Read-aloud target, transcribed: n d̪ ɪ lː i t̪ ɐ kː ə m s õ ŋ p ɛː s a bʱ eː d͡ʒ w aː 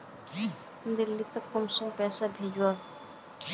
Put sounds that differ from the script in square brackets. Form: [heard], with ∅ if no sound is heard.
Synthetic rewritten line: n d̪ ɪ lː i t̪ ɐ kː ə m s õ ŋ p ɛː s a bʱ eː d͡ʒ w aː